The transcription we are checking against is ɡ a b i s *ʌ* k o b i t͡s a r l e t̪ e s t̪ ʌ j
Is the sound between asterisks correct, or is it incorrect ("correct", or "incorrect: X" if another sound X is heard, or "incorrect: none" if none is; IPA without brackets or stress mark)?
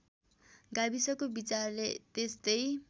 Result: correct